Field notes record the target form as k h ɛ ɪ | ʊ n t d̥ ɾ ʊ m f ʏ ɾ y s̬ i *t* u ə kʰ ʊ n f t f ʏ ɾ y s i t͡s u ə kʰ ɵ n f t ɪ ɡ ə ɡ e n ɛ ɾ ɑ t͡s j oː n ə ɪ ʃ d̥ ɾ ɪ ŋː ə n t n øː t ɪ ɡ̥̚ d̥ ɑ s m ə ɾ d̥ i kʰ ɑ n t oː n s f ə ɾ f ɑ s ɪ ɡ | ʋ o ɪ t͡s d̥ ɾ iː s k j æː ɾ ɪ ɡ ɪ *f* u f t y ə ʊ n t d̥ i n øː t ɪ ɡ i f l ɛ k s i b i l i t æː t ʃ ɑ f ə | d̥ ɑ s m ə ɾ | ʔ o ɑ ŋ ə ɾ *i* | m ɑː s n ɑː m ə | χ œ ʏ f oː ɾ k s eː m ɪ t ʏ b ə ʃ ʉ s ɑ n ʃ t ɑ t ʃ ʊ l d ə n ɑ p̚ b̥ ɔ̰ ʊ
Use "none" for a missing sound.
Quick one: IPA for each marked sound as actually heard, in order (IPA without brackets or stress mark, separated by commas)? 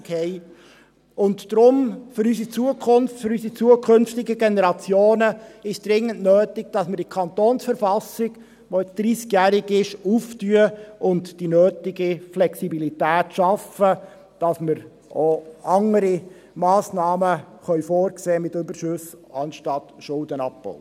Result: t͡s, ʃ, i